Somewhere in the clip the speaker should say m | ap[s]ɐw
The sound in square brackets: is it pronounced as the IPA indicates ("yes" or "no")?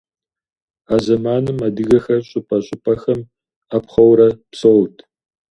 no